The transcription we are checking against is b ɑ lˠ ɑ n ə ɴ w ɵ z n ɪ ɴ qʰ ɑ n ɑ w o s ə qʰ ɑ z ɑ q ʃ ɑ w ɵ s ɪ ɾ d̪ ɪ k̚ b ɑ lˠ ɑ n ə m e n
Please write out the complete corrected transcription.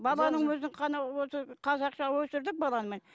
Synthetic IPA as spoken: b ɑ lˠ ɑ n ə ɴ w ɵ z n ɪ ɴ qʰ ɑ n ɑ w o s ə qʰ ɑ z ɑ q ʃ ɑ w ɵ s ɪ ɾ d̪ ɪ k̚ b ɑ lˠ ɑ n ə m e n